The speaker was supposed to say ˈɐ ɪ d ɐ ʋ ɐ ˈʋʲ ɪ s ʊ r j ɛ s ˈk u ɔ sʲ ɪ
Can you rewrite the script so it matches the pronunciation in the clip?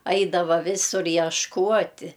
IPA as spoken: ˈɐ ɪ d ɐ ʋ ɐ ˈʋʲ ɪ s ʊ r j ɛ ʃ ˈk u ɔ tʲ ɪ